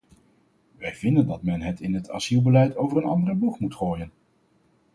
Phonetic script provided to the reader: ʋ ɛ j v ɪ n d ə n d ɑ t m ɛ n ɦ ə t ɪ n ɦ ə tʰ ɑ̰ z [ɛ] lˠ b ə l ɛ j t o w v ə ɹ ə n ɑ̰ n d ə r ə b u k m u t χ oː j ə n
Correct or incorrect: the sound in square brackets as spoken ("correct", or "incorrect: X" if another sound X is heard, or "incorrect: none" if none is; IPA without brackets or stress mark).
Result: incorrect: i